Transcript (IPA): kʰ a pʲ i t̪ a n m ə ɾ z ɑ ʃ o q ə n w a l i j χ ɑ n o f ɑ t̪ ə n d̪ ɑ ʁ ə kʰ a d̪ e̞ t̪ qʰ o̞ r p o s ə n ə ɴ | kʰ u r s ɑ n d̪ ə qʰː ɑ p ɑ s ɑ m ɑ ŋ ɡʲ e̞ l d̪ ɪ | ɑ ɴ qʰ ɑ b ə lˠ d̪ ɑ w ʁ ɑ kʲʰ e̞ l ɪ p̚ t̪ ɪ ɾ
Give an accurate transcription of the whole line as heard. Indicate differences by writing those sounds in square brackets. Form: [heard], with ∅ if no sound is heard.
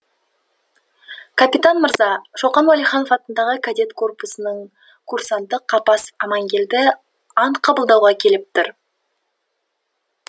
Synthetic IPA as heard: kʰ a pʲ i t̪ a n m ə ɾ z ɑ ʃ o q [ɑ] n w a l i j χ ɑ n o f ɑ t̪ ə n d̪ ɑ ʁ ə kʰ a d̪ e̞ t̪ [kʰ] o̞ r p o s ə n ə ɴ | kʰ u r s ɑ n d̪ ə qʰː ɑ p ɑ s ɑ m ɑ ŋ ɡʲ e̞ l d̪ ɪ | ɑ ɴ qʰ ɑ b ə lˠ d̪ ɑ w ʁ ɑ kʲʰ e̞ l ɪ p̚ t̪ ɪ ɾ